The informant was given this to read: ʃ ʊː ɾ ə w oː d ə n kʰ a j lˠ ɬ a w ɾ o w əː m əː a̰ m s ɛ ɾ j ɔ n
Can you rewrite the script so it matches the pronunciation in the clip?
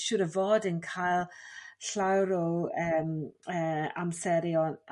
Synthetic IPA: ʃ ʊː ɾ ə v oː d ə n kʰ a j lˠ ɬ a w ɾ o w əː m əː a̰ m s ɛ ɾ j ɔ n